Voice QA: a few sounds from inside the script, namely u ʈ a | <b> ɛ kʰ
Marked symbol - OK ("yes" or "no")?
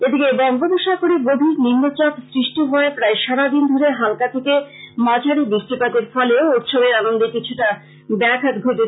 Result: yes